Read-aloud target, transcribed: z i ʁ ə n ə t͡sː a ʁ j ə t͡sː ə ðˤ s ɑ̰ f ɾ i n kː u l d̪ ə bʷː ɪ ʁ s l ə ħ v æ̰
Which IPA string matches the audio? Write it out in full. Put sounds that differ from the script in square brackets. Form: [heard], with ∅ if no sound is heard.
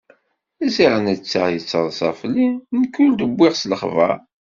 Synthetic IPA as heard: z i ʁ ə n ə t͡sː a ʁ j ə t͡sː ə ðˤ s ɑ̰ f [l] i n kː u l d̪ ə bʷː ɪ ʁ s l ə [χ] v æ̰